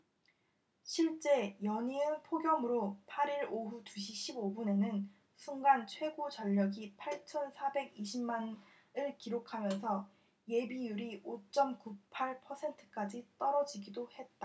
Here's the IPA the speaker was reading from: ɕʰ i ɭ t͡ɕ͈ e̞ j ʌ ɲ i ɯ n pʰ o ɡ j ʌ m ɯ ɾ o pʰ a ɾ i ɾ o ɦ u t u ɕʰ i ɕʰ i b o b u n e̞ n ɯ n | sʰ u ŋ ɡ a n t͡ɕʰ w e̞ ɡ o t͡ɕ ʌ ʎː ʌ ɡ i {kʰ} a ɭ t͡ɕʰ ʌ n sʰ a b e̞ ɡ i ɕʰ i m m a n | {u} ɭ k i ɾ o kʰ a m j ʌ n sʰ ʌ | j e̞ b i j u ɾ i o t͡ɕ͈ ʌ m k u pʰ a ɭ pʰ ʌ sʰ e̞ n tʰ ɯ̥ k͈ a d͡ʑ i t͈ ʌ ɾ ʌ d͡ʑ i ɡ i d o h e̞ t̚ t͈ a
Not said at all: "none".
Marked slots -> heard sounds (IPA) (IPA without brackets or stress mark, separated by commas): pʰ, ɯ